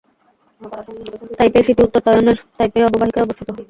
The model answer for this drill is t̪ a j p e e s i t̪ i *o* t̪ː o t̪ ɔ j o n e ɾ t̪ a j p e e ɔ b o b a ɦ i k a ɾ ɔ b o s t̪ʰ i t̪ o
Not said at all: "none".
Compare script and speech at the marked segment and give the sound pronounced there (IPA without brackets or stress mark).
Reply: u